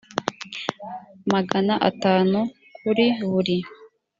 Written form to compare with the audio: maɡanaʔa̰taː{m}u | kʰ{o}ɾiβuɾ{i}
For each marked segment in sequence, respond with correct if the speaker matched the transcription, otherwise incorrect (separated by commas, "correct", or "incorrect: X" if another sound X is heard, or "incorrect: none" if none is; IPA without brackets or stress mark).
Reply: incorrect: n, incorrect: u, correct